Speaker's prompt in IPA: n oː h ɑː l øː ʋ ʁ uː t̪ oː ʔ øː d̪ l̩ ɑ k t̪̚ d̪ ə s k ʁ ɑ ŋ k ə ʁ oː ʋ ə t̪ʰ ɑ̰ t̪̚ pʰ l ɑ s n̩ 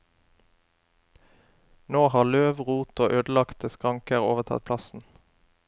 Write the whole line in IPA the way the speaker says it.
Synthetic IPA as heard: n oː h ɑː l øː ʋ ʁ uː t̪ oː ʔ øː d̪ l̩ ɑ k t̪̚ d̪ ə s k ʁ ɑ ŋ k ə ʁ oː ʋ ə t̪ʰ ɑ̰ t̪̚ pʰ l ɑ s n̩